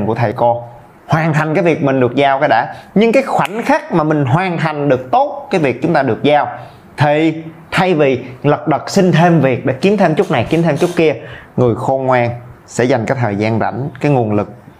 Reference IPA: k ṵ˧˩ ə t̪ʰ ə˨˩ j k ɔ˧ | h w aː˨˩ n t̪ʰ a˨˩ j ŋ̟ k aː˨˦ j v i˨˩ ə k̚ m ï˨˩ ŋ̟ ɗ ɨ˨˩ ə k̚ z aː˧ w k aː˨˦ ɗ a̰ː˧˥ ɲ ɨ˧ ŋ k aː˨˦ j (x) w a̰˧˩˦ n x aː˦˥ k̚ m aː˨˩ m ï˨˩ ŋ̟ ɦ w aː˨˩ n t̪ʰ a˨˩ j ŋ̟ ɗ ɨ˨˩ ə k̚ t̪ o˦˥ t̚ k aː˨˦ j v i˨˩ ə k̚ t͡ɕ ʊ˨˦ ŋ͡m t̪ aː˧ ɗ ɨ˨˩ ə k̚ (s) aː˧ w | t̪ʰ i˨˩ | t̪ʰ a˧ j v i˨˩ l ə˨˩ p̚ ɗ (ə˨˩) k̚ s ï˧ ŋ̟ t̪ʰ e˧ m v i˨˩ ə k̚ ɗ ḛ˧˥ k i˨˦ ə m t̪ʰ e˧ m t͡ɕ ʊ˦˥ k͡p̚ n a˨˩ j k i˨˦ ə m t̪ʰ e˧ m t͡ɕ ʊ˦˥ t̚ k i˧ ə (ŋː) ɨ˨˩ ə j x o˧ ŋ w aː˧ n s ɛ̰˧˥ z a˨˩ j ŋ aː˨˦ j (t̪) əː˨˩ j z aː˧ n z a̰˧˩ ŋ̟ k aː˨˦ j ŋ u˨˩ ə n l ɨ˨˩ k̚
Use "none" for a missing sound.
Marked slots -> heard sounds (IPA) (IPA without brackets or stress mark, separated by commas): x, z, ə˨˩, ŋ, t̪ʰ